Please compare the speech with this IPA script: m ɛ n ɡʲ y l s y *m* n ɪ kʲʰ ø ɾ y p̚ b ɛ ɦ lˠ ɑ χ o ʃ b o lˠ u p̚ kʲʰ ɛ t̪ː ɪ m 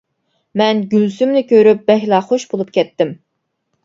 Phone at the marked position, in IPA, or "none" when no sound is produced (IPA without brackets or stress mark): m